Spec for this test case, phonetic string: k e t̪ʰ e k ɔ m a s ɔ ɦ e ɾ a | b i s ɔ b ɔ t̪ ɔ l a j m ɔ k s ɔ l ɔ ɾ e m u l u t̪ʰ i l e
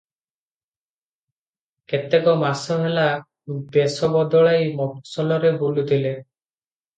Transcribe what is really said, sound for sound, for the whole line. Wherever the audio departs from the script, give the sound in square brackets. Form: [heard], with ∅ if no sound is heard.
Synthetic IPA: k e [t̪] e k ɔ m a s ɔ ɦ e [l] a | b [e] s ɔ b ɔ [d̪] ɔ [ɭ] a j m ɔ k s ɔ l ɔ ɾ e [b] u l u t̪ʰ i l e